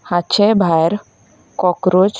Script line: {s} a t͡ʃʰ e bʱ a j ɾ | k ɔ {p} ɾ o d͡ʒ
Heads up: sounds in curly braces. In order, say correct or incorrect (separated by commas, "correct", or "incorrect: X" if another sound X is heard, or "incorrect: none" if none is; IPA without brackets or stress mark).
incorrect: h, incorrect: k